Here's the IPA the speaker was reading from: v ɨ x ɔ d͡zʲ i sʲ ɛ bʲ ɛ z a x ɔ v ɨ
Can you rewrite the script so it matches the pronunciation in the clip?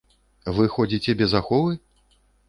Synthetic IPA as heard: v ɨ x ɔ d͡zʲ i t͡sʲ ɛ bʲ ɛ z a x ɔ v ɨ